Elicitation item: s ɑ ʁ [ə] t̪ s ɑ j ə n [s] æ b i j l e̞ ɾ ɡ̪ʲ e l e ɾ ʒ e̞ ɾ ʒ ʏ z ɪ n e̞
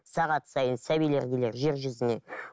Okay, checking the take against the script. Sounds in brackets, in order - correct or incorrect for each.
incorrect: ɑ, correct

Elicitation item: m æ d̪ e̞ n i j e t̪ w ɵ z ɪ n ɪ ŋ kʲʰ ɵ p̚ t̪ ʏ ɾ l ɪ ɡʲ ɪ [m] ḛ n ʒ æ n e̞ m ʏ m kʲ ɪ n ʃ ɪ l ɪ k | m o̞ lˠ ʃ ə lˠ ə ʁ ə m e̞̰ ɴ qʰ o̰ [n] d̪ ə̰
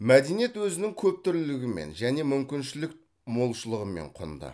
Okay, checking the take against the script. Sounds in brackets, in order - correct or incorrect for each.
correct, correct

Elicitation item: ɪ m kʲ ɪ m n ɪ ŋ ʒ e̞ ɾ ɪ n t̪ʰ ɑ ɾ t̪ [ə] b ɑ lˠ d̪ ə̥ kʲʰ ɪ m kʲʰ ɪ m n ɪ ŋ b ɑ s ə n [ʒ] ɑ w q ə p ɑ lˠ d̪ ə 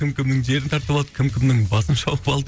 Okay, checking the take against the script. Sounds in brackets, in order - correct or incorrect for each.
correct, incorrect: ʃ

